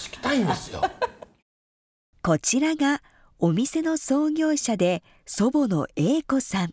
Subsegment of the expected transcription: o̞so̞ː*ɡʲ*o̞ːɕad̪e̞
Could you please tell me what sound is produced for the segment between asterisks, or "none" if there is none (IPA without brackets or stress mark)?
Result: ɡʲ